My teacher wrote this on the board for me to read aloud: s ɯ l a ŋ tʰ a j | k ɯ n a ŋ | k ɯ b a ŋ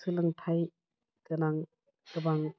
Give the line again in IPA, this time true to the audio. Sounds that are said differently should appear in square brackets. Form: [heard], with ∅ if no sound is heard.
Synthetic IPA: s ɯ l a ŋ tʰ a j | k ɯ n a ŋ | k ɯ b a ŋ